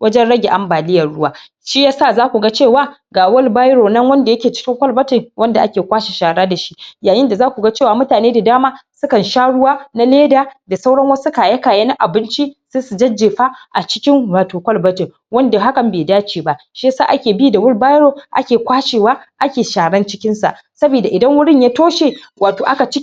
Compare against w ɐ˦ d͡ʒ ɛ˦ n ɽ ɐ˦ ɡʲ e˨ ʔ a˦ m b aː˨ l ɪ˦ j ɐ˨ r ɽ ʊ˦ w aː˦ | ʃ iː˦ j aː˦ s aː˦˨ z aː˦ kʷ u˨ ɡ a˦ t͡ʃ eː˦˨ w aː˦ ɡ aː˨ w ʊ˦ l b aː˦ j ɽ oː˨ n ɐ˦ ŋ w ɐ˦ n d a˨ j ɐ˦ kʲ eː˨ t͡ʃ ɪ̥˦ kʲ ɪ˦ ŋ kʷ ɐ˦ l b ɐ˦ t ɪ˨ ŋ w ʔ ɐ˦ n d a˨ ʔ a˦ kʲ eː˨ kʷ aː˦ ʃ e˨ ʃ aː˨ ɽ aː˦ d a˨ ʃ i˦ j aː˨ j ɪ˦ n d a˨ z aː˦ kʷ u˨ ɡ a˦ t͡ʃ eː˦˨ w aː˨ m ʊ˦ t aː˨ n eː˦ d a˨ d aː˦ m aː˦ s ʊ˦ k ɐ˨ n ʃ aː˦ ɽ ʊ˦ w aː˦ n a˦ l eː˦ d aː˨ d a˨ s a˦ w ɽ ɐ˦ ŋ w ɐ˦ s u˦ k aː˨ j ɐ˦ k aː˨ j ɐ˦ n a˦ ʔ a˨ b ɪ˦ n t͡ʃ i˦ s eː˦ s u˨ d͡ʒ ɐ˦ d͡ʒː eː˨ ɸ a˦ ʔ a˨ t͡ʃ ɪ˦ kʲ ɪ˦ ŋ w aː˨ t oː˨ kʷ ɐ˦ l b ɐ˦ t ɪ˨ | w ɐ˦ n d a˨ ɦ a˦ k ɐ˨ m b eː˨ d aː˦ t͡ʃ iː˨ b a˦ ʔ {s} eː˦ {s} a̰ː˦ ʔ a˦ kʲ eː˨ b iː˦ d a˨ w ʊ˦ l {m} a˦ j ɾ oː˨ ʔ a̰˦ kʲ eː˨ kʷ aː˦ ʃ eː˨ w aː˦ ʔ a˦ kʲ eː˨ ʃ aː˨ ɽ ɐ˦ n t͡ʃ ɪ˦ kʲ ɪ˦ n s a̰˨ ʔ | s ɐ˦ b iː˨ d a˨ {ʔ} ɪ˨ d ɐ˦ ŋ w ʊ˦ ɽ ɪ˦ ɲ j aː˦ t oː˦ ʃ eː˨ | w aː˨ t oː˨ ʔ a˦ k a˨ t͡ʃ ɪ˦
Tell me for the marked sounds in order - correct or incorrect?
incorrect: ʃ, correct, incorrect: b, correct

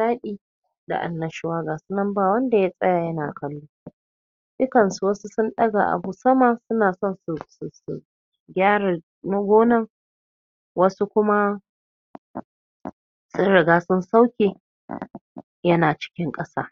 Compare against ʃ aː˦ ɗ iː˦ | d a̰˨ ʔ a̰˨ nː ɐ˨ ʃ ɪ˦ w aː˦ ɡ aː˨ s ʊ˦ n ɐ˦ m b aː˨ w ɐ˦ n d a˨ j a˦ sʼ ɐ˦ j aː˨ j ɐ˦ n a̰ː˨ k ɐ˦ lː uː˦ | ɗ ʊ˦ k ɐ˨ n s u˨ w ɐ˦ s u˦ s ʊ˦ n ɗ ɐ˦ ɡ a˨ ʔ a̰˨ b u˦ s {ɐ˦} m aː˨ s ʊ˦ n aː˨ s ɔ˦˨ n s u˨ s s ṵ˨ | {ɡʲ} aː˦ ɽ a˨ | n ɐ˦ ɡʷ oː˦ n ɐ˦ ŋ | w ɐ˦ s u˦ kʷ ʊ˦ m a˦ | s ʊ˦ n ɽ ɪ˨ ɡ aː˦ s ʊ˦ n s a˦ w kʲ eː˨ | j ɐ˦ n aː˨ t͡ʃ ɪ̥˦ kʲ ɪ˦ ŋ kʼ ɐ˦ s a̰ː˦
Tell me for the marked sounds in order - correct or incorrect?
correct, correct

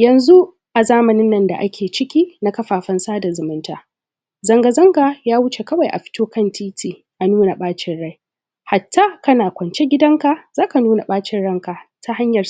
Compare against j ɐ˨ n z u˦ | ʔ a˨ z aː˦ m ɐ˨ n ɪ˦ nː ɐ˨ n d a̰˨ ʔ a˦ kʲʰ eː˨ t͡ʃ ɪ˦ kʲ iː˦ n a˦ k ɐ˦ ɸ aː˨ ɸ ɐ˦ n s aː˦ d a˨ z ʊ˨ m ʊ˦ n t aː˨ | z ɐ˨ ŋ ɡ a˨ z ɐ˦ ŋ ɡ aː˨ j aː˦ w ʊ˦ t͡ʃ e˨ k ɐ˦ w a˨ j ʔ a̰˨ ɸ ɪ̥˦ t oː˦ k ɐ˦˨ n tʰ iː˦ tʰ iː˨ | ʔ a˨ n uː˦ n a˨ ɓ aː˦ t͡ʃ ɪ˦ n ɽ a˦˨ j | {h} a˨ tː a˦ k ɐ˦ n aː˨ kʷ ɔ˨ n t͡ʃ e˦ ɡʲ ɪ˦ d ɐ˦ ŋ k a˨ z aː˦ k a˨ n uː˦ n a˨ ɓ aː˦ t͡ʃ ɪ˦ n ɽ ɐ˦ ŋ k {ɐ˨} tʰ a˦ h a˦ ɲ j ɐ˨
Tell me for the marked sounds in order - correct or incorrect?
correct, incorrect: a˨

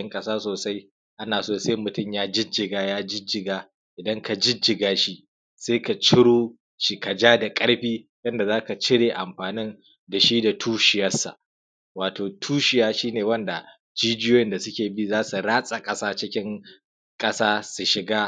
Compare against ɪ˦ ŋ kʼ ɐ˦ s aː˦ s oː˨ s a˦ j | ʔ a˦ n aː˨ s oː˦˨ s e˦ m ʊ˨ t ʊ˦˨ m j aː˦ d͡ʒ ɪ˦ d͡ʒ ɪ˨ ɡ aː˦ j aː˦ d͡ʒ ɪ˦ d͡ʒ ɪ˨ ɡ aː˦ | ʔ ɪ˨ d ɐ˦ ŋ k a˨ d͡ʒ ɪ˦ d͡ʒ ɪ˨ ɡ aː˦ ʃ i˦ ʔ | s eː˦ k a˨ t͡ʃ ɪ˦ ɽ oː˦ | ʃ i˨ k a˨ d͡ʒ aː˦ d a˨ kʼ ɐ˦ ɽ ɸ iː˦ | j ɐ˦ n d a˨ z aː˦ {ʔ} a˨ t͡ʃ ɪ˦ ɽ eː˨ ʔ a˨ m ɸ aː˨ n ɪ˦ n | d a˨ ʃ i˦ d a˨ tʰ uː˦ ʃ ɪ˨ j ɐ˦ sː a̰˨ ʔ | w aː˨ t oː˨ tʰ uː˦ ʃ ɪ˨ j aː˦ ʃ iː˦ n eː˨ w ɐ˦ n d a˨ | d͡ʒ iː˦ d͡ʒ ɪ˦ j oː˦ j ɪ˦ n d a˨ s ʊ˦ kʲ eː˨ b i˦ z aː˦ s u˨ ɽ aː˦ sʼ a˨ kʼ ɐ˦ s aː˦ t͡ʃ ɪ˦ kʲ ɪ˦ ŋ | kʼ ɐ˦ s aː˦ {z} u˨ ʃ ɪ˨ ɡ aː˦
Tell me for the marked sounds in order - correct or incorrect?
incorrect: k, incorrect: s

